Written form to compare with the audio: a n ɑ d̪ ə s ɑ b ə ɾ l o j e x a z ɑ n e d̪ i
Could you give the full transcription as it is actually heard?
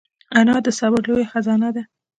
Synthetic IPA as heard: a n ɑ d̪ ə s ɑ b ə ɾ l o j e x a z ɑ n a d̪ a

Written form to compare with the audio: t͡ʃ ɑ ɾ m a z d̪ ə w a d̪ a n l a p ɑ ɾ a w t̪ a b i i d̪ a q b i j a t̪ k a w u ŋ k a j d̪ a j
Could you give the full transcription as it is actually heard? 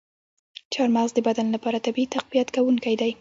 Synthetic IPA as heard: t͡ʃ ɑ ɾ m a z d̪ ə b a d̪ a n l a p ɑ ɾ a t̪ a b i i t̪ a q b i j a t̪ k a w u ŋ k a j d̪ a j

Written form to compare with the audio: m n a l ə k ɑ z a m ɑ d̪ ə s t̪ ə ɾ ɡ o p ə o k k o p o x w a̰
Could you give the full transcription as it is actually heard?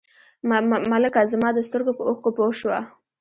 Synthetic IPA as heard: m m a l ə k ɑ z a m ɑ d̪ ə s t̪ ə ɾ ɡ o p ə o x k o p o ʃ w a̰

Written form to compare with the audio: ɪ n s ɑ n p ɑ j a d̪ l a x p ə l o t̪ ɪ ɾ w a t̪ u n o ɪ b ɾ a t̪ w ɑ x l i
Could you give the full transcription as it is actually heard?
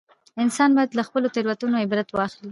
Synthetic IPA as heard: ɪ n s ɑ n b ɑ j a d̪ l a x p ə l o t̪ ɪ ɾ w a t̪ u n o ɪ b ɾ a t̪ w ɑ x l i

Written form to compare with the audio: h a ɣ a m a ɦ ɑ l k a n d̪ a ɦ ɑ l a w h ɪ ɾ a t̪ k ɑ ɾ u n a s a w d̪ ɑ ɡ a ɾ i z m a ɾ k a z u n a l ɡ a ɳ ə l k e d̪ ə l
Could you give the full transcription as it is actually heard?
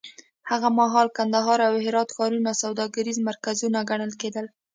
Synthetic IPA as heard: h a ɣ a m a ɦ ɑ l k a n d̪ a ɦ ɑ ɾ a w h ɪ ɾ ɑ t̪ x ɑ ɾ u n a s a w d̪ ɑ ɡ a ɾ i z m a ɾ k a z u n a ɡ a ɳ ə l k e d̪ ə l

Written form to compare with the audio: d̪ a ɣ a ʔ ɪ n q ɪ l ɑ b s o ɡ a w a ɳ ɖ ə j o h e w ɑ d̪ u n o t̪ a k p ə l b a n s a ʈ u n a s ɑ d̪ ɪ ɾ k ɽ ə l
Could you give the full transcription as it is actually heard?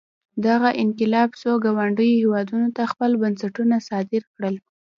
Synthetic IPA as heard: d̪ a ɣ a ʔ ɪ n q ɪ l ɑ b s o ɡ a w a ɳ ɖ ə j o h e w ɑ d̪ u n o t̪ a x p ə l b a n s a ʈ u n a s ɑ d̪ ɪ ɾ k ɽ ə l

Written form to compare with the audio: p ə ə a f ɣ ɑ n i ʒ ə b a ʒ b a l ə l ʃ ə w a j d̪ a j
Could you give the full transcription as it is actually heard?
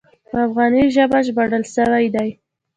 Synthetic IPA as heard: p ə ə a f ɣ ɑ n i ʒ ə b a ʒ b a ɽ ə l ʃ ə w a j d̪ a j

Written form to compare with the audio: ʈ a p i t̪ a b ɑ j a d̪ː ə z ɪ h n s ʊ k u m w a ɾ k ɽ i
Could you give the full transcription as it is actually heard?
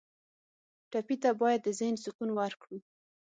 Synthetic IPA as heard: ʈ a p i t̪ a b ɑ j a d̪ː ə z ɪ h n s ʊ k u n w a ɾ k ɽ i

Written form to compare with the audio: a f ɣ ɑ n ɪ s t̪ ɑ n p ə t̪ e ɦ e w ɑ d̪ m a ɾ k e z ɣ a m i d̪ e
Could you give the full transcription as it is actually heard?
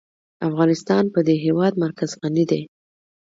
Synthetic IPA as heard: a f ɣ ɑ n ɪ s t̪ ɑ n p ə d̪ e ɦ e w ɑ d̪ m a ɾ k a z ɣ a n i d̪ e

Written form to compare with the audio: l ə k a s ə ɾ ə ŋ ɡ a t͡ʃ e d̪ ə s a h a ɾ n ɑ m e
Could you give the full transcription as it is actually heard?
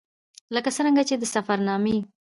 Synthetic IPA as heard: l ə k a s ə ɾ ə ŋ ɡ a t͡ʃ e d̪ ə s a f a ɾ n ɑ m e

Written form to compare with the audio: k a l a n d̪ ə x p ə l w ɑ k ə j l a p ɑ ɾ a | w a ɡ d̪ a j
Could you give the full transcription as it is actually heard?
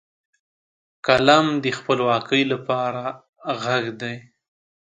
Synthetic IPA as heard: k a l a m d̪ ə x p ə l w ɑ k ə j l a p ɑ ɾ a | ɣ a ɡ d̪ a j

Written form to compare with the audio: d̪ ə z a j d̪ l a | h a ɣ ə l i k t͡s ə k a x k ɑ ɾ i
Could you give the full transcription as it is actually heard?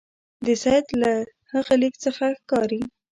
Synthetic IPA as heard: d̪ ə s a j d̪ l a | h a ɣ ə l i k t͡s ə x a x k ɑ ɾ i

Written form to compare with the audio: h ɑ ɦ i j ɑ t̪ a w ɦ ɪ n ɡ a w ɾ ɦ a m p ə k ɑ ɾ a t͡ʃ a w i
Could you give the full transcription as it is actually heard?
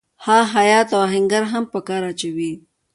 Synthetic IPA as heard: h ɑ ɦ a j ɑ t̪ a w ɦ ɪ ŋ ɡ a ɾ ɦ a m p ə k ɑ ɾ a t͡ʃ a w i

